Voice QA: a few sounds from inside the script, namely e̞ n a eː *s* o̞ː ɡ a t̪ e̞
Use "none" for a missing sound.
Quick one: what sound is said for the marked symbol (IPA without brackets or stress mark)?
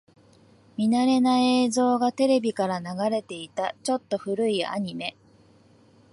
z